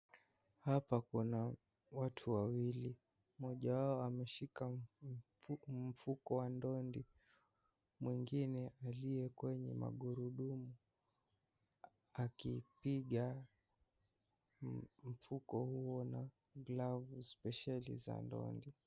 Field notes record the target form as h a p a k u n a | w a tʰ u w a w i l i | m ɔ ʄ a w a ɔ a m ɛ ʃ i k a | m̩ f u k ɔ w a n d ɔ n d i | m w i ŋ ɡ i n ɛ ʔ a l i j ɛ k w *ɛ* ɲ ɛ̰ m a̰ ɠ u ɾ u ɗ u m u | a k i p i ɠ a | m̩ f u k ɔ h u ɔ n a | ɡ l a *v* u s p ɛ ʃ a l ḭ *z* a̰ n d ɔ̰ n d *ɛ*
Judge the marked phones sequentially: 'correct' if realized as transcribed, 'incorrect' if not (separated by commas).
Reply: correct, correct, correct, incorrect